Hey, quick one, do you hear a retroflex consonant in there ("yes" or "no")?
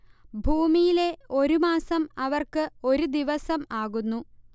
no